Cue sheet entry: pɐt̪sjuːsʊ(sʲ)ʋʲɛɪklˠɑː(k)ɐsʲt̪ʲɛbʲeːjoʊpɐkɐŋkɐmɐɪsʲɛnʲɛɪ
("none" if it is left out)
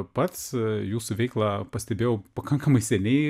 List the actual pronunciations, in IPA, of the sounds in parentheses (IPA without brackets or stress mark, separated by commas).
none, p